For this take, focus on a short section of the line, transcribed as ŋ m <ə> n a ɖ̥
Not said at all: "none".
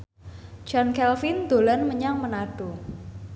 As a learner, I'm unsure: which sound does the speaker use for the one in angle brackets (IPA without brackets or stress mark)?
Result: ə